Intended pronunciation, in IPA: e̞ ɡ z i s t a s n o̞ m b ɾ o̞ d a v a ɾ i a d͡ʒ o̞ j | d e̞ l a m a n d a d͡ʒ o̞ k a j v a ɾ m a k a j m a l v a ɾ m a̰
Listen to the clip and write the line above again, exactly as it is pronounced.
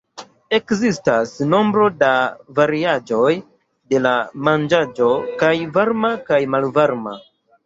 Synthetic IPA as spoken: e̞ k z i s t a s n o̞ m b ɾ o̞ d a v a ɾ i a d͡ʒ o̞ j | d e̞ l a m a n d͡ʒ a d͡ʒ o̞ k a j v a ɾ m a k a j m a l v a ɾ m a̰